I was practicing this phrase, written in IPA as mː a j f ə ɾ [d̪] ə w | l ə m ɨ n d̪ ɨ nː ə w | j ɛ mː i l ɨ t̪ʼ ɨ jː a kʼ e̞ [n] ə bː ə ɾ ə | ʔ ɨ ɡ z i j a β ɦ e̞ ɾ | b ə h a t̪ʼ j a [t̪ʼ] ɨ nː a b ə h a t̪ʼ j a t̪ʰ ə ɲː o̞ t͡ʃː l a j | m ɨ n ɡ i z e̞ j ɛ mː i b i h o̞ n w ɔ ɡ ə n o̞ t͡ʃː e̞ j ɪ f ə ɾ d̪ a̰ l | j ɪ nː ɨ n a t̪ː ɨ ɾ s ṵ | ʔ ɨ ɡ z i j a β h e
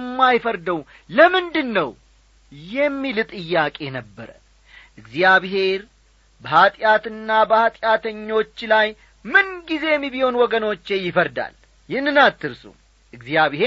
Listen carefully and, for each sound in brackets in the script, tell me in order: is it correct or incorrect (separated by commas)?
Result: correct, correct, incorrect